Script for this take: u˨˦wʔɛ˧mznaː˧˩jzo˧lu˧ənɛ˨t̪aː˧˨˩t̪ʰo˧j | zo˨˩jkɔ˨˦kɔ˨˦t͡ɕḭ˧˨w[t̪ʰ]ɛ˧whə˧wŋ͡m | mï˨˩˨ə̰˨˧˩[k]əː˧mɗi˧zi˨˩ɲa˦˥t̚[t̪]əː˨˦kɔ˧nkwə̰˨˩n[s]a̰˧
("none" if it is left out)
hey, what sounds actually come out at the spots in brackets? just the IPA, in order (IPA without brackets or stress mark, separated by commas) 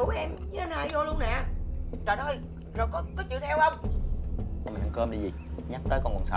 t̪ʰ, k, t̪, s